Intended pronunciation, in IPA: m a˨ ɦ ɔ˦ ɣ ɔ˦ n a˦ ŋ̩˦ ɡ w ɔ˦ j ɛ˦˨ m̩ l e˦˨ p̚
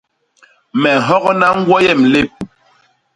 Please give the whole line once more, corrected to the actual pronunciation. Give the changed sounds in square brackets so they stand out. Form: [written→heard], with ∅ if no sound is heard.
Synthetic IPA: m [a˨→ɛ˨] ɦ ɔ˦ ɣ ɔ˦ n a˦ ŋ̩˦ ɡ w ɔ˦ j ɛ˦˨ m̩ l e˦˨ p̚